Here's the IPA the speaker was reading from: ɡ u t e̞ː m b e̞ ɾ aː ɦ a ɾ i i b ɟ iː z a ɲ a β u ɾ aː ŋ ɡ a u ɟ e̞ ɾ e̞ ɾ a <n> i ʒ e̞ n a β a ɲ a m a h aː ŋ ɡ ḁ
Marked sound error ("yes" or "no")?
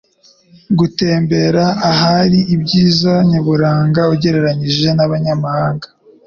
yes